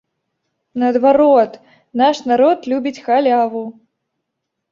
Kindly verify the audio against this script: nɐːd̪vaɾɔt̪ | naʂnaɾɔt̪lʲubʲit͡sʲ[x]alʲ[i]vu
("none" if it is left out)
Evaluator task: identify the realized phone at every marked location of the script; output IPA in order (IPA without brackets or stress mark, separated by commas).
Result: x, a